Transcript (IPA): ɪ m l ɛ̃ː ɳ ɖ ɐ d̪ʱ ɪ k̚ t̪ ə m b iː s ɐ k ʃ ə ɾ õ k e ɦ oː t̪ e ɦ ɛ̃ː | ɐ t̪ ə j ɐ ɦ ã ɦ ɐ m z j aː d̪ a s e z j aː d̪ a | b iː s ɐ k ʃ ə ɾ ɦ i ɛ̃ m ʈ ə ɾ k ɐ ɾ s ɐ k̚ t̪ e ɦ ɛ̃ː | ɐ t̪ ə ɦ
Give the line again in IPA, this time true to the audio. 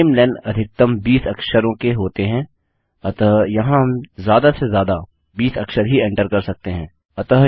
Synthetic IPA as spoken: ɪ m l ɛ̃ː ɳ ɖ ɐ d̪ʱ ɪ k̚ t̪ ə m b iː s ɐ k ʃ ə ɾ õ k e ɦ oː t̪ e ɦ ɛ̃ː | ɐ t̪ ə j ɐ ɦ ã ɦ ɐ m z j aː d̪ a s e z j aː d̪ a | b iː s ɐ k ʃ ə ɾ ɦ i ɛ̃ ɳ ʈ ə ɾ k ɐ ɾ s ɐ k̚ t̪ e ɦ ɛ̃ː | ɐ t̪ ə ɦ